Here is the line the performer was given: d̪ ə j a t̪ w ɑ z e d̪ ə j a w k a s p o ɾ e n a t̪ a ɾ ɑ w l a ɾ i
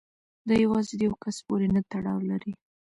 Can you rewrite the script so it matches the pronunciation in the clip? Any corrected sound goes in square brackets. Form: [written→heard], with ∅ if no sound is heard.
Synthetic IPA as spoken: d̪ [ə→ɑ] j a [t̪→∅] w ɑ z e d̪ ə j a w k a s p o ɾ e n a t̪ a [ɾ→ɽ] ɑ w l a ɾ i

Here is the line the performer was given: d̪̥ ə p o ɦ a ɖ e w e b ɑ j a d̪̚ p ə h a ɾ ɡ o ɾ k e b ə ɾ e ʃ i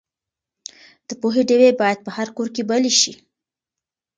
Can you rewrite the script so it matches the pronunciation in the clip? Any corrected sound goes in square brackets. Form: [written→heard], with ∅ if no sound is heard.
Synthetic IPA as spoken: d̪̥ ə p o ɦ [a→e] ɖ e w e b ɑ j a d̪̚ p ə h a ɾ [ɡ→k] o ɾ k e b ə [ɾ→l] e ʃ i

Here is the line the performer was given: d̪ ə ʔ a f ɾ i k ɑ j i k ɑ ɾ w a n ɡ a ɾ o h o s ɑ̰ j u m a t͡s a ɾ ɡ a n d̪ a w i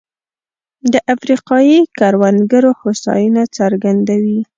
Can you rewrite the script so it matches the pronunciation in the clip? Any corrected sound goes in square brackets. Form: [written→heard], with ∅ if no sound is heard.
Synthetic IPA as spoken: d̪ ə ʔ a f ɾ i [k→q] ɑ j i k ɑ ɾ w a n ɡ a ɾ o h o s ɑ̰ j u [m→n] a t͡s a ɾ ɡ a n d̪ a w i

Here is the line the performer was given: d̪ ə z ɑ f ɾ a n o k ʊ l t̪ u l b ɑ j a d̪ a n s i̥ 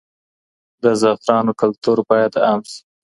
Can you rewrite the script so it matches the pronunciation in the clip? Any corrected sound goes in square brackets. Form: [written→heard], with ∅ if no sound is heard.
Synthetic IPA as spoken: d̪ ə z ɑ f ɾ [a→ɑ] n o k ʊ l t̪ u [l→ɾ] b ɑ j a d̪ a [n→m] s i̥

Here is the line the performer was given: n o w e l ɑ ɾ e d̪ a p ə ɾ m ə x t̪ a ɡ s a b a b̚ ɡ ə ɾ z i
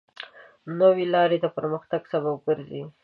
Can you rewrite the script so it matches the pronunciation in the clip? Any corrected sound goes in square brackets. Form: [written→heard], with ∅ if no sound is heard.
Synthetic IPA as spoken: n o w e l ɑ ɾ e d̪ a p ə ɾ m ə x t̪ a ɡ s a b a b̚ ɡ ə ɾ z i

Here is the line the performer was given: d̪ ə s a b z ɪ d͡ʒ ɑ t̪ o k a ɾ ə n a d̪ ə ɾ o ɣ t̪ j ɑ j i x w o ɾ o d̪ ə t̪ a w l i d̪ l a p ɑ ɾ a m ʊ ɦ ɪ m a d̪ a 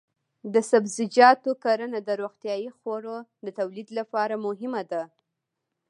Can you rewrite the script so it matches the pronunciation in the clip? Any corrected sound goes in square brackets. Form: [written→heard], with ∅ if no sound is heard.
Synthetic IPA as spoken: d̪ ə s a b z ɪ d͡ʒ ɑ t̪ o k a ɾ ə n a d̪ ə ɾ o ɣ t̪ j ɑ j i x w o ɾ o d̪ ə t̪ a w l i d̪ l a p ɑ ɾ a m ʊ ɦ ɪ m a d̪ a

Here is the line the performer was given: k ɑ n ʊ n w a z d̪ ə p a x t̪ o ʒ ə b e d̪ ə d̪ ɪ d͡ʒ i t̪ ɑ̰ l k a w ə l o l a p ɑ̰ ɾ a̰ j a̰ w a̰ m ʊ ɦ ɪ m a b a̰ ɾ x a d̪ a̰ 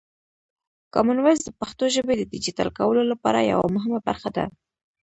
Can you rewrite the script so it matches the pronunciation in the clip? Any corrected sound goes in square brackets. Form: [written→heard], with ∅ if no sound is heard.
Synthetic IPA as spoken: k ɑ [n→m] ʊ n w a z d̪ ə p a x t̪ o ʒ ə b e d̪ ə d̪ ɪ d͡ʒ i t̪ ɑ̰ l k a w ə l o l a p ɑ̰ ɾ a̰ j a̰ w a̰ m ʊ ɦ ɪ m a b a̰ ɾ x a d̪ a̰

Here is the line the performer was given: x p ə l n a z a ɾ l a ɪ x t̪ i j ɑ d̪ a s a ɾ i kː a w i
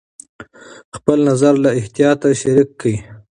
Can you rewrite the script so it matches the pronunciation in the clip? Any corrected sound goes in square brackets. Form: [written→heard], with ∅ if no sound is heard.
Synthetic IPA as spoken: x p ə l n a z a ɾ l a ɪ [x→h] t̪ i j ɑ [d̪→t̪] a [s→ʃ] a ɾ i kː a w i

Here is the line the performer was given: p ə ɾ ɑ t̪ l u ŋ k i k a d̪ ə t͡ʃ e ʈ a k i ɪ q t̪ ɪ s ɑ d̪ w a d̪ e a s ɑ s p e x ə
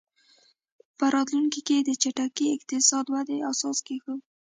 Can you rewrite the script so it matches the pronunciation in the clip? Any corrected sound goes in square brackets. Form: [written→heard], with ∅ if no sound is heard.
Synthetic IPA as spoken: p ə ɾ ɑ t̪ l u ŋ k i k [a→e] d̪ ə t͡ʃ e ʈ a k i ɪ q t̪ ɪ s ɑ d̪ w a d̪ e a s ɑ s [p→k] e x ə

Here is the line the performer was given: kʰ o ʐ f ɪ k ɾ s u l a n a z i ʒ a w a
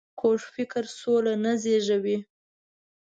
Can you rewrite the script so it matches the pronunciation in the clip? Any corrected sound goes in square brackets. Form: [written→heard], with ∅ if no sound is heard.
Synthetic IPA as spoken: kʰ o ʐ f ɪ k ɾ s [u→o] l a n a z [i→e] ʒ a w [a→i]

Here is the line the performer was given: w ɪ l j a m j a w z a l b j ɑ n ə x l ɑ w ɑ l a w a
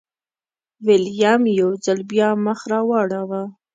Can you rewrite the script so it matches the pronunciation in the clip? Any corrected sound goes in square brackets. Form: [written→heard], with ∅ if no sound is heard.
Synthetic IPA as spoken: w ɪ l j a m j a w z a l b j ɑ [n→m] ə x [l→ɾ] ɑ w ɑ [l→ɽ] a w a

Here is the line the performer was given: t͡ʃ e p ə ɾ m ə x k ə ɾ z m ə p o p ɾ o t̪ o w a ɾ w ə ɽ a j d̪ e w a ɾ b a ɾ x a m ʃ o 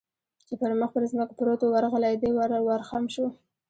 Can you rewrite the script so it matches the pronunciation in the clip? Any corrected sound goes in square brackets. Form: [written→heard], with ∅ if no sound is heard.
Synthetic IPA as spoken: t͡ʃ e p ə ɾ m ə x [k→p] ə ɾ z m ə [p→k] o p ɾ o t̪ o w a ɾ [w→ɣ] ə [ɽ→l] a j d̪ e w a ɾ [b→w] a ɾ x a m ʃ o

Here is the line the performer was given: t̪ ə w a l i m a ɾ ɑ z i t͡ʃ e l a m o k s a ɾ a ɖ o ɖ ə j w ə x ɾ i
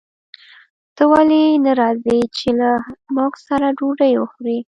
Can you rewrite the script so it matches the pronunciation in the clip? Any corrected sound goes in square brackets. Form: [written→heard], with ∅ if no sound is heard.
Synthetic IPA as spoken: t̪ ə w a l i [m→n] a ɾ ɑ z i t͡ʃ e l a m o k s a ɾ a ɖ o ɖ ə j w ə x ɾ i

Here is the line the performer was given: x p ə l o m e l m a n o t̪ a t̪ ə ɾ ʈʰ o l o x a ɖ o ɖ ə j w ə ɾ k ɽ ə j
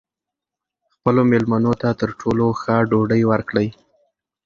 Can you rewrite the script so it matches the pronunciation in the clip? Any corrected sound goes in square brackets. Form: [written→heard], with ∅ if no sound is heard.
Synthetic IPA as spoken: x p ə l o m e l m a n o t̪ a t̪ ə ɾ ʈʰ o l o x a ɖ o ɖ ə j w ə ɾ k ɽ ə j

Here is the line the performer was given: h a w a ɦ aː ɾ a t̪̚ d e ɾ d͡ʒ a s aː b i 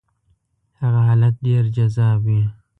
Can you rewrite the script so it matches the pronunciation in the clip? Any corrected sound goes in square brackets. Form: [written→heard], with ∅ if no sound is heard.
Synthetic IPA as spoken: h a [w→ɣ] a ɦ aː [ɾ→l] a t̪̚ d e ɾ d͡ʒ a [s→z] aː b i

